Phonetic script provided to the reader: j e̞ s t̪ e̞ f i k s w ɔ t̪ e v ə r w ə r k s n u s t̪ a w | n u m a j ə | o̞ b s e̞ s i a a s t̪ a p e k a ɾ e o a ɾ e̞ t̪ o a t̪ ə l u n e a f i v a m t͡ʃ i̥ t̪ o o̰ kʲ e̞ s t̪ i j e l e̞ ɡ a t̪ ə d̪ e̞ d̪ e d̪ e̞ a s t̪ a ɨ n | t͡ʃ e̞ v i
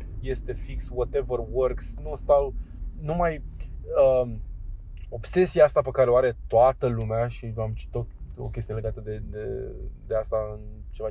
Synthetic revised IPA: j e̞ s t̪ e̞ f i k s w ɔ t̪ e v ə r w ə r k s n u s t̪ a w | n u m a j ə | o̞ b s e̞ s i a a s t̪ a p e k a ɾ e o a ɾ e̞ t̪ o a t̪ ə l u m e a ʃ i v a m t͡ʃ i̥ t̪ o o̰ kʲ e̞ s t̪ i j e l e̞ ɡ a t̪ ə d̪ e̞ d̪ e d̪ e̞ a s t̪ a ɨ n | t͡ʃ e̞ v a